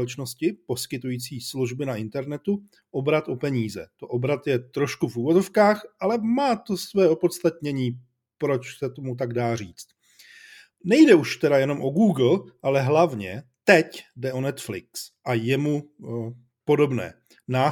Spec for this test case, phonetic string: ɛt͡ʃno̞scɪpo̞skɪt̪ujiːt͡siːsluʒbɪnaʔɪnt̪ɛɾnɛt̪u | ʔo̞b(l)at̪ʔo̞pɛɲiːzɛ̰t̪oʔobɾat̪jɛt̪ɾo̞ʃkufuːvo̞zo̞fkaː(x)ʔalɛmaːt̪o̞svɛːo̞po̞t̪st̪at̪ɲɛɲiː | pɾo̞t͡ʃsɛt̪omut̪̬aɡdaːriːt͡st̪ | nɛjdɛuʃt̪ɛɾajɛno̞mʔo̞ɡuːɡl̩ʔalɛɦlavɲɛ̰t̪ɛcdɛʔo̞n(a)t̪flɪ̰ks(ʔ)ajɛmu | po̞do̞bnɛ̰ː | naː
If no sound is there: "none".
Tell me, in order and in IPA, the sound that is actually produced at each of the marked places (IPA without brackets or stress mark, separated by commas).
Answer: ɾ, x, ɛ, ʔ